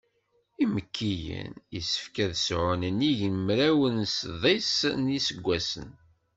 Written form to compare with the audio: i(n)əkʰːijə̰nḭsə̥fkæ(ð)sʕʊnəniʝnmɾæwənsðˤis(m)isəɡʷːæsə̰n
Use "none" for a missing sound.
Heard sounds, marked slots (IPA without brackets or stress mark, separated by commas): m, ð, n